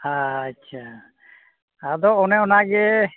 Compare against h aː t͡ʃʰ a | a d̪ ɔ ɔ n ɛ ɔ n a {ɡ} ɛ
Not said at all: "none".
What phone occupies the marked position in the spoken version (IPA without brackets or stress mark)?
ɡ